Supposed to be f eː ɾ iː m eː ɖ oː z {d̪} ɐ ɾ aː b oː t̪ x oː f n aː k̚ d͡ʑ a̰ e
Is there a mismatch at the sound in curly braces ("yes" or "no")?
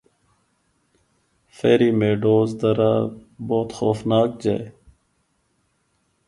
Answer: no